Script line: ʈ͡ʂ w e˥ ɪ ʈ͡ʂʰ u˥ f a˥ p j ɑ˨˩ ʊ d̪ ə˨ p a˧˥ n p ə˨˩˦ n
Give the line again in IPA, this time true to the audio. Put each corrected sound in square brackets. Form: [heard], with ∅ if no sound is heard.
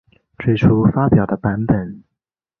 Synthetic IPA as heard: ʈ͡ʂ w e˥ ɪ ʈ͡ʂʰ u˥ f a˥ p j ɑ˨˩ ʊ d̪ [ə˦] p a˧˥ n p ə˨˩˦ n